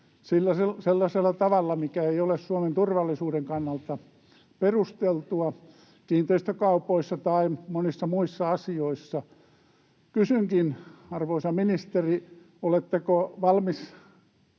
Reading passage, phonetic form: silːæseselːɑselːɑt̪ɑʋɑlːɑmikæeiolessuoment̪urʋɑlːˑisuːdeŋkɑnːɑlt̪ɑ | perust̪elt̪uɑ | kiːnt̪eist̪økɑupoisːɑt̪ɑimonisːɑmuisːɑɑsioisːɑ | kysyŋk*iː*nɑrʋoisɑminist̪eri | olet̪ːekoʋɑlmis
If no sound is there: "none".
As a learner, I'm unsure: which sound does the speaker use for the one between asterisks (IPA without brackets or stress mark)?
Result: i